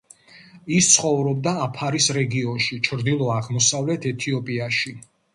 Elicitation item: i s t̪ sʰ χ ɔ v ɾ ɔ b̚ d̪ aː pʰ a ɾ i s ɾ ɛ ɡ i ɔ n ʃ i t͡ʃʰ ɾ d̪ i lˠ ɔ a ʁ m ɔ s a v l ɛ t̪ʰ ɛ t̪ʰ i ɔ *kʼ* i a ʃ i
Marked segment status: incorrect: pʼ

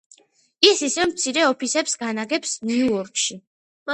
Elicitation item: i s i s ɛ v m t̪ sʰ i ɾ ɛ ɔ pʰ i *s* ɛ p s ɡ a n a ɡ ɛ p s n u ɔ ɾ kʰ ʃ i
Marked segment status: correct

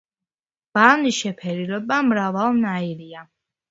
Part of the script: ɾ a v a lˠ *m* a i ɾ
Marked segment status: incorrect: n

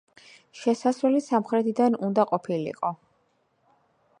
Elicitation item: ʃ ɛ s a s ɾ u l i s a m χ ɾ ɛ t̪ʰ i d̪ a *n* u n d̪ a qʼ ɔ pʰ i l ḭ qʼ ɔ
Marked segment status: correct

